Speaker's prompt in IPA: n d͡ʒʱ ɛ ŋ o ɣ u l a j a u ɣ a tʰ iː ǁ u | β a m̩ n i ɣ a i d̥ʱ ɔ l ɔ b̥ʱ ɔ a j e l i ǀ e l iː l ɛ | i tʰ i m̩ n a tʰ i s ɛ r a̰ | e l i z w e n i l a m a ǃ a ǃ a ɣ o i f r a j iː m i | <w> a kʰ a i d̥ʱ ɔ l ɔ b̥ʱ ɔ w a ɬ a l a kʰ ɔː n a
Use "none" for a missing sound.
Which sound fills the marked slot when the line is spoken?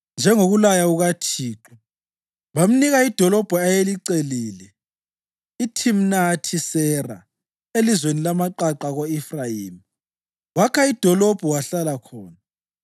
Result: w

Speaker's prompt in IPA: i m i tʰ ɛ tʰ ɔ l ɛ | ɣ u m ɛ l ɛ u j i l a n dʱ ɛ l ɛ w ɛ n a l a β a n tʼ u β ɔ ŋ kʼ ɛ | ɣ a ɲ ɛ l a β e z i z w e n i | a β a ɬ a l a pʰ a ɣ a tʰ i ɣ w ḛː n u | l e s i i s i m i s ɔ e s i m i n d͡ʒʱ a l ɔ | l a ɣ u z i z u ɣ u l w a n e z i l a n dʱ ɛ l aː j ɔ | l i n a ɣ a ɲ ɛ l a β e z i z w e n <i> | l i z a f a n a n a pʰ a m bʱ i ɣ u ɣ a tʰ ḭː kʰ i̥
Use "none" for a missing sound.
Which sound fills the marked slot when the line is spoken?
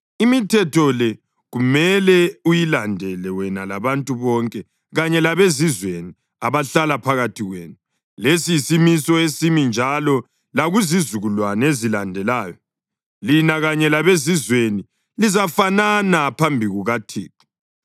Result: i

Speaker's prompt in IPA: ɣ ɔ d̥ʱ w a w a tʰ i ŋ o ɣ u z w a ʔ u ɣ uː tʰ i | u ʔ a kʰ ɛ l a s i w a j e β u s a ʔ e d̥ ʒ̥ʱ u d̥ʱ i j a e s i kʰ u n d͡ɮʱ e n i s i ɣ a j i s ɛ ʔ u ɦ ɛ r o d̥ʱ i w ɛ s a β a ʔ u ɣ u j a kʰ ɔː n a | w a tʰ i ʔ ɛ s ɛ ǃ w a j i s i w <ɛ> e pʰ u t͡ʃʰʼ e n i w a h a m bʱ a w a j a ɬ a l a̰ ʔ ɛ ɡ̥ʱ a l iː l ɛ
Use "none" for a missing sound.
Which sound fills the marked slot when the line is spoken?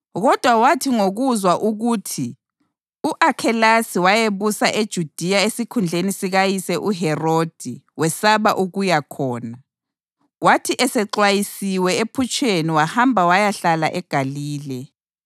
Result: ɛ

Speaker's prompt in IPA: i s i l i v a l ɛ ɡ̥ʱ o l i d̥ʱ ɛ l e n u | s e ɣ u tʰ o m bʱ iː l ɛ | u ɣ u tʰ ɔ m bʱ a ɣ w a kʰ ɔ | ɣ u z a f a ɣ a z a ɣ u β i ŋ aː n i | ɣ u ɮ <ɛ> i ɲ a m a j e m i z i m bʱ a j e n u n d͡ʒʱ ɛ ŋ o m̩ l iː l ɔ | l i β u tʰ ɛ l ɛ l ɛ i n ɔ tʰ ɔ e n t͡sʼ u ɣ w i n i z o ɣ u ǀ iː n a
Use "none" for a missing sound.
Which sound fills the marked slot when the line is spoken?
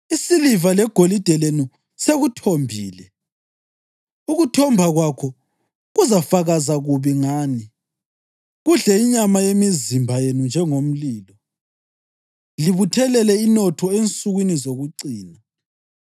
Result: ɛ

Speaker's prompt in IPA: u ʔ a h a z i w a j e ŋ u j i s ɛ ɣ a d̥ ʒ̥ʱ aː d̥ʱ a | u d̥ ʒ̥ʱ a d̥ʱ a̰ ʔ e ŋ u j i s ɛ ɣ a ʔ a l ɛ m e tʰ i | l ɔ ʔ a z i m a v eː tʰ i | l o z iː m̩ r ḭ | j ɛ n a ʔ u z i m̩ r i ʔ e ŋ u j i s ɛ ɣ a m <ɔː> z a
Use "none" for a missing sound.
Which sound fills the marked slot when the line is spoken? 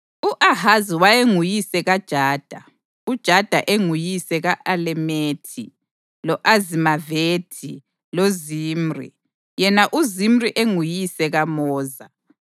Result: ɔː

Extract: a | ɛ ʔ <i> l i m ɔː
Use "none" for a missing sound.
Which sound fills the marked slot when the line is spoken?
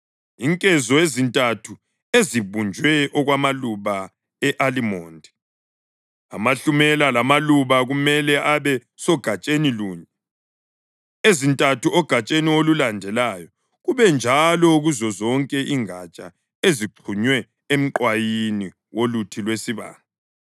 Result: a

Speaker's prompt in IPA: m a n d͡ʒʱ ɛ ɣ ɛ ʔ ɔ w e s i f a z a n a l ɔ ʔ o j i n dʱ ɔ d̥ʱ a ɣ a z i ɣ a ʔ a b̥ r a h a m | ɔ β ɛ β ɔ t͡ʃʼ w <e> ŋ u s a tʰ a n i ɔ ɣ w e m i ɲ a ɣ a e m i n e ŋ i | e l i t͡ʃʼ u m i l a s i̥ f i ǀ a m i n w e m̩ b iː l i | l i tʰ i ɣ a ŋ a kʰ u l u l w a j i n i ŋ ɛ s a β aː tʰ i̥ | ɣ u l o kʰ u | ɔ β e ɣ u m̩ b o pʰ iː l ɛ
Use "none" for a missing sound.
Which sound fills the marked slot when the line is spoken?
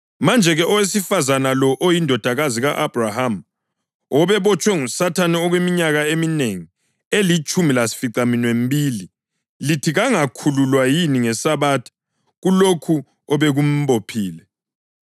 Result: ɛ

